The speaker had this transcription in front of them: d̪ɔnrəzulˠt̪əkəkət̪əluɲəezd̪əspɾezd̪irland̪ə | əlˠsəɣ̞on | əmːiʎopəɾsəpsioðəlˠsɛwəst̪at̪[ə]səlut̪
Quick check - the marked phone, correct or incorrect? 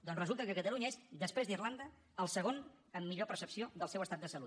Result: correct